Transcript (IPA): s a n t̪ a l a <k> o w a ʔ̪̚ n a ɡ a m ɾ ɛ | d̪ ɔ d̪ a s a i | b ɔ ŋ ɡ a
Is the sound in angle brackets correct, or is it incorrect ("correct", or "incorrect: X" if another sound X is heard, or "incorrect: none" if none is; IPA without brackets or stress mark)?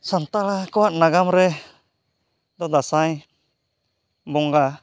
correct